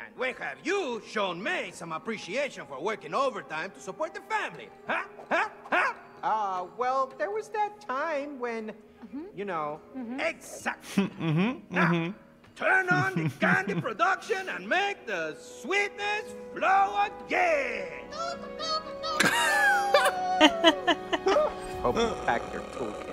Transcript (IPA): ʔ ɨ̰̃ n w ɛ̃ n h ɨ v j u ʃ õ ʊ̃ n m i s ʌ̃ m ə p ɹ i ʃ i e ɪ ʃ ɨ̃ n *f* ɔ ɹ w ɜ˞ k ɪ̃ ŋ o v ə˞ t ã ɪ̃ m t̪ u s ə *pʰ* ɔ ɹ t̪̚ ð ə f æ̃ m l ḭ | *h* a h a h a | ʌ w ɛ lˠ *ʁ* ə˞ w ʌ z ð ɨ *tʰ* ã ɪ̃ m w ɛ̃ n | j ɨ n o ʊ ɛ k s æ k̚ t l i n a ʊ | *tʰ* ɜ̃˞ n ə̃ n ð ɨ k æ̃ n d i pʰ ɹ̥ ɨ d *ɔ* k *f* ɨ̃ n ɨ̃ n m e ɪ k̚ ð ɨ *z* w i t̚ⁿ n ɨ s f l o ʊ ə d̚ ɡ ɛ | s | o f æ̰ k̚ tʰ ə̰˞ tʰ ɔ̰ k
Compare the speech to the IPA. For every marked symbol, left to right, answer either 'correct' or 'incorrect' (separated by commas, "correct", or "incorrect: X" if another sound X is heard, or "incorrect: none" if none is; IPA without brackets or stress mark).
correct, incorrect: p, correct, incorrect: ð, correct, correct, incorrect: ʌ, incorrect: ʃ, incorrect: s